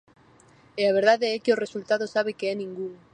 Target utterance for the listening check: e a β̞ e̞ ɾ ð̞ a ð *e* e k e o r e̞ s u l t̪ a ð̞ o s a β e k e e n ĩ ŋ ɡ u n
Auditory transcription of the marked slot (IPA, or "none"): e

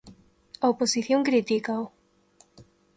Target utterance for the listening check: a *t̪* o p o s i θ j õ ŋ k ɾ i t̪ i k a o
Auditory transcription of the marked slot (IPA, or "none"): none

